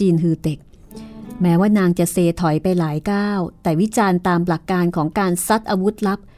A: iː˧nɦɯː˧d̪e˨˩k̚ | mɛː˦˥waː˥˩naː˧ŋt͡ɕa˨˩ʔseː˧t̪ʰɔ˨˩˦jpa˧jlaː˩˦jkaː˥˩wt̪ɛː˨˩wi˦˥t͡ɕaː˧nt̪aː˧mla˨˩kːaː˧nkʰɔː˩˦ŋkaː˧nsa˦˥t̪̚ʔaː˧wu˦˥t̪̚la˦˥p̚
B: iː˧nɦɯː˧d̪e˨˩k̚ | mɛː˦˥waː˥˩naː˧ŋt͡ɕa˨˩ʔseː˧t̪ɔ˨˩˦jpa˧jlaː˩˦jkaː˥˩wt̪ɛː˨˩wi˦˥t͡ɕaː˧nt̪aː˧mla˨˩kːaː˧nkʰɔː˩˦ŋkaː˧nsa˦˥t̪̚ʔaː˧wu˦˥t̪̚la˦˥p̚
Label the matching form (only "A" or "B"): A